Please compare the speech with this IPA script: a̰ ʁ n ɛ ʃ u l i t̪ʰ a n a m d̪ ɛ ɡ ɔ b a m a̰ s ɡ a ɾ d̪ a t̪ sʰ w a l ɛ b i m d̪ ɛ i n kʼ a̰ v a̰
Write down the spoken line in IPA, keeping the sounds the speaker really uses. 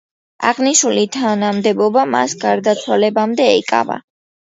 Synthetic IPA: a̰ ʁ n i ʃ u l i t̪ʰ a n a m d̪ ɛ b ɔ b a m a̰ s ɡ a ɾ d̪ a t̪ sʰ w a l ɛ b a m d̪ ɛ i kʼ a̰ v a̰